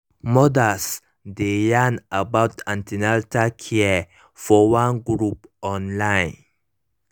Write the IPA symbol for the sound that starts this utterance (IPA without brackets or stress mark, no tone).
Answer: m